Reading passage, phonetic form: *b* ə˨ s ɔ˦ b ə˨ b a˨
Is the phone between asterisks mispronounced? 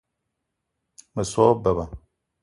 yes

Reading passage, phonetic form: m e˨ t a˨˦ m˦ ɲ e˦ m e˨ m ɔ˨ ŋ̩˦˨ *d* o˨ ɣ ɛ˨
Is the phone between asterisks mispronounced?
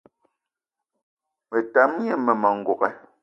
yes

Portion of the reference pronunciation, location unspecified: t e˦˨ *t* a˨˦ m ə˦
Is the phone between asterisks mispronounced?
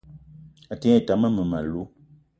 no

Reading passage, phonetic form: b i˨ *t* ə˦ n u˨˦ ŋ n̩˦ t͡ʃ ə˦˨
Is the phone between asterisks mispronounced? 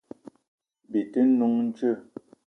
no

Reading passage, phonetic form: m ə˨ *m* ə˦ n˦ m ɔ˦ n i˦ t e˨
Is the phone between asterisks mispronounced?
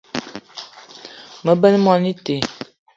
yes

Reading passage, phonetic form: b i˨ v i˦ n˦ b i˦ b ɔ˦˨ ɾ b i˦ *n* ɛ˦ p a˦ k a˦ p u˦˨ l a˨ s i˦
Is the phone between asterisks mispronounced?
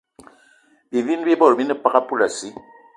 no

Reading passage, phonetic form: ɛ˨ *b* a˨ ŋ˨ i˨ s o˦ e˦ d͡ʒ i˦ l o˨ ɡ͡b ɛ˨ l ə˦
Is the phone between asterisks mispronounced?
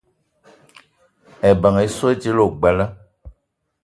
no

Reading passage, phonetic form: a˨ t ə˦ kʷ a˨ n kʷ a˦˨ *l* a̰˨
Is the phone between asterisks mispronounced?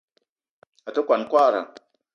yes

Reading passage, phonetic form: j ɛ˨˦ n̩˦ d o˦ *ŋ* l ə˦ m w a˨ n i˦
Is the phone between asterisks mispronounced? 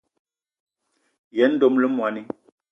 yes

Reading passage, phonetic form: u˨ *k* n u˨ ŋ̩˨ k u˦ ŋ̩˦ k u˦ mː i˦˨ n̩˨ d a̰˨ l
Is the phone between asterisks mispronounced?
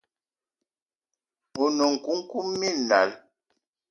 yes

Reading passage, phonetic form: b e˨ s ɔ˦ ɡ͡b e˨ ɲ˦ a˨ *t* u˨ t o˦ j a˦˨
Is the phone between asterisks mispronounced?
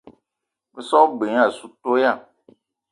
yes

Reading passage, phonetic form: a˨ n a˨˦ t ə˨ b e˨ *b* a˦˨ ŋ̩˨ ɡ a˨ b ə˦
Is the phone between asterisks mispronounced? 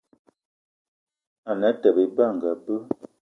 no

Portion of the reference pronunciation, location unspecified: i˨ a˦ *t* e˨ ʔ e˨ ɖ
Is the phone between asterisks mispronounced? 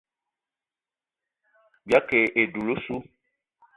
yes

